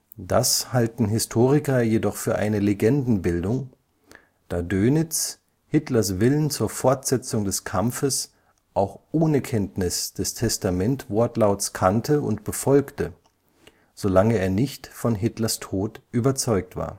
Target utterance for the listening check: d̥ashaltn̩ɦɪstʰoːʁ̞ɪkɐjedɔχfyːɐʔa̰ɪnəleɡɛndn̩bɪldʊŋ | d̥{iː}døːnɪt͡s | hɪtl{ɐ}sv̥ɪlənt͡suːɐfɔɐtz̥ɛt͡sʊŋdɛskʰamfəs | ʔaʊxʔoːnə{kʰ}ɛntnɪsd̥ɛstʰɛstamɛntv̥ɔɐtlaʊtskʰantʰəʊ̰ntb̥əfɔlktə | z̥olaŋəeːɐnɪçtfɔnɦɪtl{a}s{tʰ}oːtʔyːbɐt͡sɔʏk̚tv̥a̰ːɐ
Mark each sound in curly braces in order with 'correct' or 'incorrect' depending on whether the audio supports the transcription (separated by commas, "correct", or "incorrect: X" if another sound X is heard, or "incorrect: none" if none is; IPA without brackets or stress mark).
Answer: incorrect: aː, correct, correct, incorrect: ɐ, correct